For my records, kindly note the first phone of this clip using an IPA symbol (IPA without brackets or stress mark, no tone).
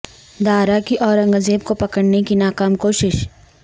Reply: d̪